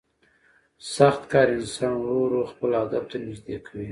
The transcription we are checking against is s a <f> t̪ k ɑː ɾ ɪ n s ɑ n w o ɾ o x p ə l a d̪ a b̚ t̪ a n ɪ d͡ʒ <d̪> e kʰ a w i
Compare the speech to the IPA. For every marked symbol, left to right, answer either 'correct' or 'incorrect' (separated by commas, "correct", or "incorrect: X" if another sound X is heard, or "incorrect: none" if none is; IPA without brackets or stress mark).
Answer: incorrect: x, correct